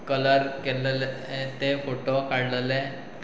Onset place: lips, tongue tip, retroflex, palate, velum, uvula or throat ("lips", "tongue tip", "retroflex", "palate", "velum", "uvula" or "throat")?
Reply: velum